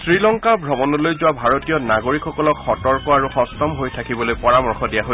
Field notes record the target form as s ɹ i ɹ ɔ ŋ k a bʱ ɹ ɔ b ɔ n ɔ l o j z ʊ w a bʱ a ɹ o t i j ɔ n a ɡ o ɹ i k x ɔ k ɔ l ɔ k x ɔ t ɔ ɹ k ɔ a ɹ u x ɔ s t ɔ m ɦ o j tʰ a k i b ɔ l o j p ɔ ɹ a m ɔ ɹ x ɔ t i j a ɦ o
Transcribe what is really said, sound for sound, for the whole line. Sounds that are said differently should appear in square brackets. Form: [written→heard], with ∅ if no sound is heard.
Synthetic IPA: s ɹ i [ɹ→l] ɔ ŋ k a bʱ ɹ ɔ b ɔ n ɔ l o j z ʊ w a bʱ a ɹ o t i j ɔ n a ɡ o ɹ i k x ɔ k ɔ l ɔ k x ɔ t ɔ ɹ k ɔ a ɹ u x ɔ s t ɔ m ɦ o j tʰ a k i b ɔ l o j p ɔ ɹ a m ɔ ɹ x ɔ [t→d] i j a ɦ o

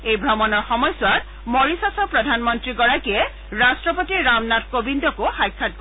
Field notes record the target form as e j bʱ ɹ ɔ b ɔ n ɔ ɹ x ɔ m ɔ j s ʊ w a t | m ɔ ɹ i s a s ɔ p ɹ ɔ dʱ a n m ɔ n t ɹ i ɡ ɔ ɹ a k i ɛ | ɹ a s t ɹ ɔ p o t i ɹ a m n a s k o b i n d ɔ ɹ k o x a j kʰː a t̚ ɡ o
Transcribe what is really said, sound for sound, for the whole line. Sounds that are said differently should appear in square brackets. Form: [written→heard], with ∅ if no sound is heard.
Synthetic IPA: e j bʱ ɹ ɔ [b→m] ɔ n ɔ ɹ x ɔ m ɔ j s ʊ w a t | m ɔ ɹ i s a s ɔ p ɹ ɔ dʱ a n m ɔ n t ɹ i ɡ ɔ ɹ a k i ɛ | ɹ a s t ɹ ɔ p o t i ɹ a m n a [s→t] k o b i n d ɔ [ɹ→∅] k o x a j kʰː a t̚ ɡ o

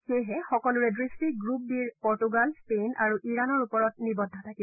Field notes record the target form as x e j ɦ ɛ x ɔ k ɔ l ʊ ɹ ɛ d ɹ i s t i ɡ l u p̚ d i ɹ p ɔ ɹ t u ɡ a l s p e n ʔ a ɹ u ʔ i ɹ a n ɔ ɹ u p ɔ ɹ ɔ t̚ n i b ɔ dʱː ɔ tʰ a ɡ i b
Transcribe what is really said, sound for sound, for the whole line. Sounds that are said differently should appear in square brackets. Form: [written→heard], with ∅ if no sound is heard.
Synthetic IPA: x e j ɦ ɛ x ɔ k ɔ l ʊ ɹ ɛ d ɹ i s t i ɡ [l→ɹ] u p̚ d i ɹ p ɔ ɹ t u ɡ a l s p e n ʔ a ɹ u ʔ i ɹ a n ɔ ɹ u p ɔ ɹ ɔ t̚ n i b ɔ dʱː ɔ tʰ a [ɡ→k] i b

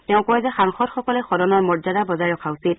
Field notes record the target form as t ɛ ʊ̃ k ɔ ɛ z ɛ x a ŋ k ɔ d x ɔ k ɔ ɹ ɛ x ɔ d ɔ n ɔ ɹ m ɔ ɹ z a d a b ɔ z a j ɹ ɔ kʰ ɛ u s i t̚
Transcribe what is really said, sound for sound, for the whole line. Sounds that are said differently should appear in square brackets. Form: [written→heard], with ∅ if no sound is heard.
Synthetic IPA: t ɛ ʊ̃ k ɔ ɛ z ɛ x a ŋ [k→x] ɔ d x ɔ k ɔ [ɹ→l] ɛ x ɔ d ɔ n ɔ ɹ m ɔ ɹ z a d a b ɔ z a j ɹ ɔ kʰ [ɛ→a] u s i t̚

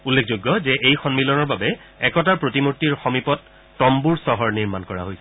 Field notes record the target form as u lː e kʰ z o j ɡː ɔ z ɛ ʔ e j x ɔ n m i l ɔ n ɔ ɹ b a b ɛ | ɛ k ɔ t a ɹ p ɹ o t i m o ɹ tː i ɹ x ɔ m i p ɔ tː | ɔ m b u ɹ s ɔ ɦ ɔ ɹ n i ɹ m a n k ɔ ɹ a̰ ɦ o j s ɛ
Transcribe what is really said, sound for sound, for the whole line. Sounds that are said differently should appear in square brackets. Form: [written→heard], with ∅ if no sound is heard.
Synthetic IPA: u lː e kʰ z o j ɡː ɔ z ɛ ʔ e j x ɔ n m i l ɔ n ɔ ɹ b a b ɛ | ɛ k ɔ t a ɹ p ɹ o t i m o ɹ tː i ɹ x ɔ m i p ɔ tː | ɔ m b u ɹ s ɔ ɦ ɔ ɹ n i ɹ m a n k ɔ ɹ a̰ ɦ o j s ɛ

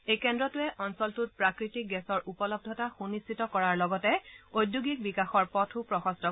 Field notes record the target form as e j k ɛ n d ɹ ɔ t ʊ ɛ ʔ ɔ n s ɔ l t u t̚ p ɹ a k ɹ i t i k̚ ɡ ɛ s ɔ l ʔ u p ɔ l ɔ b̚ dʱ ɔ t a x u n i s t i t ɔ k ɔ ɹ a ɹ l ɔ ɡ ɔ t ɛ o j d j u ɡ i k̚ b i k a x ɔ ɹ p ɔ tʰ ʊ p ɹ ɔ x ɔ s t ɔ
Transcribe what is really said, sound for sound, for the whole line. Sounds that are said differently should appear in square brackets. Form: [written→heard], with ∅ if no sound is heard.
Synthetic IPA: e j k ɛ n d ɹ ɔ t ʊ ɛ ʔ ɔ n s ɔ l t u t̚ p ɹ a k ɹ i t i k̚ ɡ ɛ s ɔ [l→ɹ] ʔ u p ɔ l ɔ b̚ dʱ ɔ t a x u n i s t i t ɔ k ɔ ɹ a ɹ l ɔ ɡ ɔ t ɛ o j d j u ɡ i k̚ b i k a x ɔ ɹ p ɔ tʰ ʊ p ɹ ɔ x ɔ s t ɔ

